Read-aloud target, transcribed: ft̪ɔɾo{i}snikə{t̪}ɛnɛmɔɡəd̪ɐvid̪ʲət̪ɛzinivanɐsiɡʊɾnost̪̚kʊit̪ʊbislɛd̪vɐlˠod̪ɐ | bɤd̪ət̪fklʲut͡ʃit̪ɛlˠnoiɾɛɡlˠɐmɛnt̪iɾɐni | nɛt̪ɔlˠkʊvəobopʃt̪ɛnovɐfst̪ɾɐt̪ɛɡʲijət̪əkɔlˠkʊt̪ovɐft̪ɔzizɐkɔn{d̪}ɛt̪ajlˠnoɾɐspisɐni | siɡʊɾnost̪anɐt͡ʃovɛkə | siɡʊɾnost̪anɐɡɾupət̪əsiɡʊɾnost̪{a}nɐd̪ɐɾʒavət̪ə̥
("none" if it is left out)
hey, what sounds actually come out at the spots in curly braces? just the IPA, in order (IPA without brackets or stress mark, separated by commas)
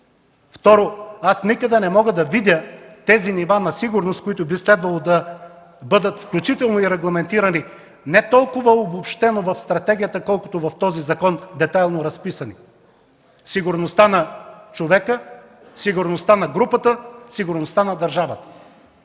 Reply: a, d̪, d̪, a